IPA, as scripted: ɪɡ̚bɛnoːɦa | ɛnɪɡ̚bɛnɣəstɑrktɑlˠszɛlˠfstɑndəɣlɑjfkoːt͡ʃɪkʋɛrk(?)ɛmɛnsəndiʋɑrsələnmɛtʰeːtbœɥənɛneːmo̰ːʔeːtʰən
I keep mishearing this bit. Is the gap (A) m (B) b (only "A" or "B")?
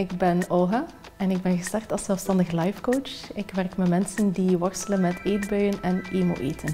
A